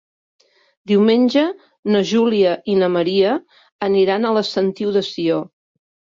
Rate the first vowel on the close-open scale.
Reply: close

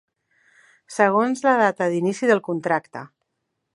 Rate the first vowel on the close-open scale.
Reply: mid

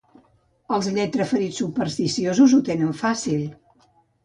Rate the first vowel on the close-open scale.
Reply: mid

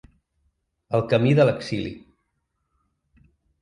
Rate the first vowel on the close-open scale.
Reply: mid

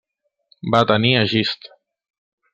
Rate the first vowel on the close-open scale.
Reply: open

